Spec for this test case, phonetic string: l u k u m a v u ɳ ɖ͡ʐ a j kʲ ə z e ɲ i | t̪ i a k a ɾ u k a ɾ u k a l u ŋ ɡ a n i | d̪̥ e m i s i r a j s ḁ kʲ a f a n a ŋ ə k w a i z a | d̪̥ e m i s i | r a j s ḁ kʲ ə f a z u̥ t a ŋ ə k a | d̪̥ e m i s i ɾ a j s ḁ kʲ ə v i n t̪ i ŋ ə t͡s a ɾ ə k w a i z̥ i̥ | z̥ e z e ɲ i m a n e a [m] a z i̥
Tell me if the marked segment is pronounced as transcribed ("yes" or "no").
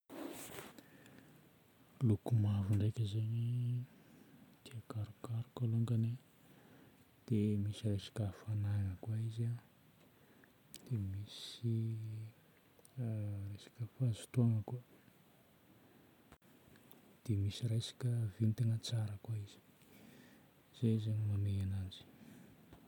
no